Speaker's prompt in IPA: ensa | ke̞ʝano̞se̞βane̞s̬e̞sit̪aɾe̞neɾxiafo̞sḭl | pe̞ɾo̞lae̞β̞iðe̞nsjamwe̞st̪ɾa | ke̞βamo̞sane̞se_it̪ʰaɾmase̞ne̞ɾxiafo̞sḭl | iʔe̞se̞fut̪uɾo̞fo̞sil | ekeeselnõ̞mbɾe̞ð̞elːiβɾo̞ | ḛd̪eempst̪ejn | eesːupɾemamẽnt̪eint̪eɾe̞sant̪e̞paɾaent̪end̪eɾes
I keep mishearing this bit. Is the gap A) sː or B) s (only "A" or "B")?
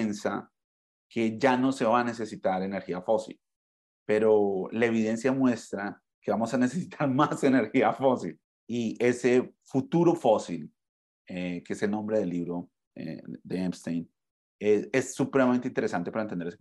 B